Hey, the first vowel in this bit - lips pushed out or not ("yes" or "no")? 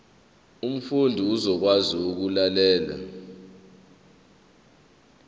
yes